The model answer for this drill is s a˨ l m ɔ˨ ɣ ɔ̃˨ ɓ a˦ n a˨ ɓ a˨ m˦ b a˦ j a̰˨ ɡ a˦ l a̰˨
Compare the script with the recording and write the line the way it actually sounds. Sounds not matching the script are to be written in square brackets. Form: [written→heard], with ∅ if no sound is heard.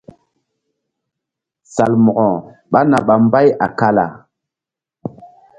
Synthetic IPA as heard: s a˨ l m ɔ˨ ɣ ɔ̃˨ ɓ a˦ n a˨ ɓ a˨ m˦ b a˦ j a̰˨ [ɡ→k] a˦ l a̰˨